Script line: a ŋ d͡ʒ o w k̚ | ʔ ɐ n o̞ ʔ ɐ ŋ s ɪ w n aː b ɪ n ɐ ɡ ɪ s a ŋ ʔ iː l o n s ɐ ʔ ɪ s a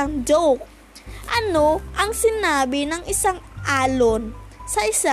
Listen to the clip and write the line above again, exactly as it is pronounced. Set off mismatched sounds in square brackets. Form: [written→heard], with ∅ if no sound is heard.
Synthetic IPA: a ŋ d͡ʒ o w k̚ | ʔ ɐ n o̞ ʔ ɐ ŋ s ɪ [w→∅] n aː b ɪ n ɐ [ɡ→ŋ] ɪ s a ŋ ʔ [iː→aː] l o n s ɐ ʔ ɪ s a